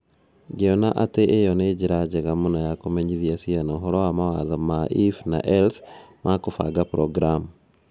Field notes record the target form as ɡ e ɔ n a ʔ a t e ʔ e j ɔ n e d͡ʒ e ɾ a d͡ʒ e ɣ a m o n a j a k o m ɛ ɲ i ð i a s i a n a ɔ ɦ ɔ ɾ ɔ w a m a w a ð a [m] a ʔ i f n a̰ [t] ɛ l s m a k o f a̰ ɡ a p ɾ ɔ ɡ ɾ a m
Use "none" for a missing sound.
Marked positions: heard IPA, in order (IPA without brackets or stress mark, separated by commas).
m, ʔ